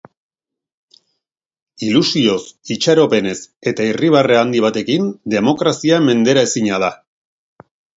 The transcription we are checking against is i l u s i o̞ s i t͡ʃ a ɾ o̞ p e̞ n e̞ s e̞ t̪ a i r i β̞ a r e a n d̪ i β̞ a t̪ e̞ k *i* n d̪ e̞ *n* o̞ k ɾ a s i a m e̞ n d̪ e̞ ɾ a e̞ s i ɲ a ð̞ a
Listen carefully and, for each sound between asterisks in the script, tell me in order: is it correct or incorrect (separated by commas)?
correct, incorrect